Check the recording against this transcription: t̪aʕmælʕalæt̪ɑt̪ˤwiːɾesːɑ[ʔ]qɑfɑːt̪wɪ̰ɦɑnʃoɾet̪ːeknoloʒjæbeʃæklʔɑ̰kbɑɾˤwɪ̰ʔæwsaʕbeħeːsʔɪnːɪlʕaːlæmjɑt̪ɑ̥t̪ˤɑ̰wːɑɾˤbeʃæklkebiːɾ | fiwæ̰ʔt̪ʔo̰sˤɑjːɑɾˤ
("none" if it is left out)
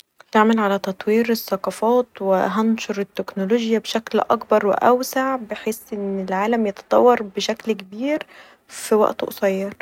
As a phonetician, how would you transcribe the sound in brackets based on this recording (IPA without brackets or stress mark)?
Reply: none